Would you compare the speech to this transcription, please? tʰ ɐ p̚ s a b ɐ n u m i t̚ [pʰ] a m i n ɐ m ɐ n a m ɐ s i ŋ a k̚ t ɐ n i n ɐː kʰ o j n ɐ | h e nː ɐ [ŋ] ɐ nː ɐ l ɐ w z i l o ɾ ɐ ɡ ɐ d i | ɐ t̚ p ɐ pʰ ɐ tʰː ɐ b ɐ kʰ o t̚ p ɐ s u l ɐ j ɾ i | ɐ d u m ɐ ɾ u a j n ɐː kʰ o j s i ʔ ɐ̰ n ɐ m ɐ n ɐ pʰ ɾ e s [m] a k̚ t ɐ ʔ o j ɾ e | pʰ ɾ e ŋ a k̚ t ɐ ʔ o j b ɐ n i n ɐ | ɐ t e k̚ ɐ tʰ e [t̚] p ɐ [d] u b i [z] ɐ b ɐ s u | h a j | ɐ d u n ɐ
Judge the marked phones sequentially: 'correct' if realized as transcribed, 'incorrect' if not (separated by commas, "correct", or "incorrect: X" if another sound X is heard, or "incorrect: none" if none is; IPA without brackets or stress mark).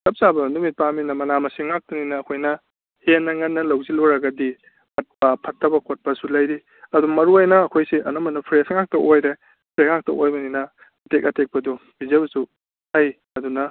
incorrect: p, correct, incorrect: ŋ, incorrect: k̚, correct, correct